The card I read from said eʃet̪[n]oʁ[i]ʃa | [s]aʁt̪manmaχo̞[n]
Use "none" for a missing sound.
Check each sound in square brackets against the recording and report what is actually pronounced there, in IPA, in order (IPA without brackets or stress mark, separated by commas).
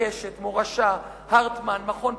m, a, h, n